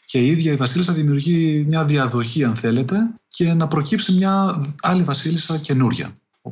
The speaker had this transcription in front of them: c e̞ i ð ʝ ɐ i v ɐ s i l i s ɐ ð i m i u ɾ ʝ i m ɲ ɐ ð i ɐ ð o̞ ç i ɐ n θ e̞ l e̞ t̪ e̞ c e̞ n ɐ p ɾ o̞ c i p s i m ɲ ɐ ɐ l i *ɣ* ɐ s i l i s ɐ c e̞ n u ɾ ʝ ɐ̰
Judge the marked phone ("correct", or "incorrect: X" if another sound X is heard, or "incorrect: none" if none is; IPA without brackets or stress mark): incorrect: v